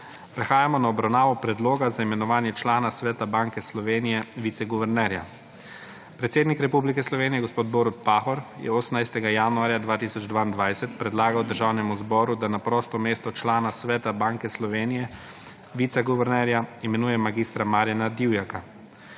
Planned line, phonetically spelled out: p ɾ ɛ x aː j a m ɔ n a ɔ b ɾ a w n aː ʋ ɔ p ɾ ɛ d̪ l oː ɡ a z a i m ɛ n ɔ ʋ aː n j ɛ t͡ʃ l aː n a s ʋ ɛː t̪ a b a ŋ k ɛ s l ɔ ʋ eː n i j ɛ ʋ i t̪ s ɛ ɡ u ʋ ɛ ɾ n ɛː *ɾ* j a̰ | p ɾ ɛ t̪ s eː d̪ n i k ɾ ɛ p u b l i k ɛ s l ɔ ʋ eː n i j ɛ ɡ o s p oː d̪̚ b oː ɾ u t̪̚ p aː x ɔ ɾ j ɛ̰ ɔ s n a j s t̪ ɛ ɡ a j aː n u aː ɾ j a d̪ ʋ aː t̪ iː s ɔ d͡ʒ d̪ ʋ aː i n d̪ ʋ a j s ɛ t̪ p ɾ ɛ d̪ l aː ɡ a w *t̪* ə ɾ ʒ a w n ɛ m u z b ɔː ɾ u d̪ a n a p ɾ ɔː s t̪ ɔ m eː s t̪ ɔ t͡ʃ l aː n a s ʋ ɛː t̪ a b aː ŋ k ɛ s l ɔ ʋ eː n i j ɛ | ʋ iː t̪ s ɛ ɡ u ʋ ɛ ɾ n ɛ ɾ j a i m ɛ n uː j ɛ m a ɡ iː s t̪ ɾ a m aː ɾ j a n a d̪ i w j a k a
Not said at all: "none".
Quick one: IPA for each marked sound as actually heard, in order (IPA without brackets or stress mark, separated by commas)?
ɾ, d̪